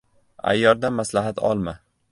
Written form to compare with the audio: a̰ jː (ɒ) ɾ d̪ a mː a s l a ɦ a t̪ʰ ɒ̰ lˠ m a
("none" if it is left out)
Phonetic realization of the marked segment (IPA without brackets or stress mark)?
ɒ